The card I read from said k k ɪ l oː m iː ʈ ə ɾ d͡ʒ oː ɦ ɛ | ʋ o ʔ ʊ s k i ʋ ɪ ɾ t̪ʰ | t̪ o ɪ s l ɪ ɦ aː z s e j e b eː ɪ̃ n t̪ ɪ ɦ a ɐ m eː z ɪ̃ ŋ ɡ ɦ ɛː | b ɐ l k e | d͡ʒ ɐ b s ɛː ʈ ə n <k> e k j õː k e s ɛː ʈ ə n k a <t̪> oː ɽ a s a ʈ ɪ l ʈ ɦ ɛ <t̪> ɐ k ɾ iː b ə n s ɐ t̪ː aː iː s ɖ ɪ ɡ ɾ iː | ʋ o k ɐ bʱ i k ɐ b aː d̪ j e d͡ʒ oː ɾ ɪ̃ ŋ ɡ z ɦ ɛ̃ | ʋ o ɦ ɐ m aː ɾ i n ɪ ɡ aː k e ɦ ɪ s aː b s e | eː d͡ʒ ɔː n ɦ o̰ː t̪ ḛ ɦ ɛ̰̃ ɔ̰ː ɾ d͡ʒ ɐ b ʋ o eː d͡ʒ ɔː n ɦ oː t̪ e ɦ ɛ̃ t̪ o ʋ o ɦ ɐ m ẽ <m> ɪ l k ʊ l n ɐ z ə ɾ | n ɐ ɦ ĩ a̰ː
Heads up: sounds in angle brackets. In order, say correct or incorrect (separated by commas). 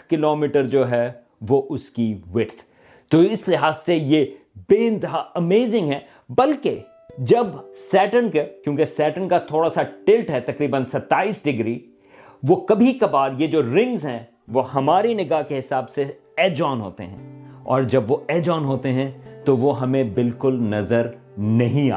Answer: correct, incorrect, correct, incorrect